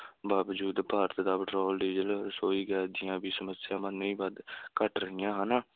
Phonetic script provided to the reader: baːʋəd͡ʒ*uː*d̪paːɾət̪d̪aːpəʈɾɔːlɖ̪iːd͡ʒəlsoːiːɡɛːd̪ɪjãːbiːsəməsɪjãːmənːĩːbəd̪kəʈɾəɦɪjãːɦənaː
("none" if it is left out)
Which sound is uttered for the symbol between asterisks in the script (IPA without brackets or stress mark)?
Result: uː